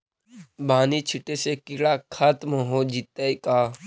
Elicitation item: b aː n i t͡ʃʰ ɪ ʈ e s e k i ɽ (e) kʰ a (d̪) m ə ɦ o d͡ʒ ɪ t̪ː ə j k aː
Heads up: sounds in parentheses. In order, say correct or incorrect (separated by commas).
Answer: incorrect, incorrect